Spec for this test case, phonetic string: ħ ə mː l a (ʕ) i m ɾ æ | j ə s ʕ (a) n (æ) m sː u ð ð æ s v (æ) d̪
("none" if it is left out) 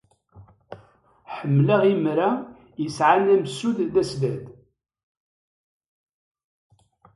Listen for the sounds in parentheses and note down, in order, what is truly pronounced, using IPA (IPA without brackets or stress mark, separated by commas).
ʁ, a, æ, æ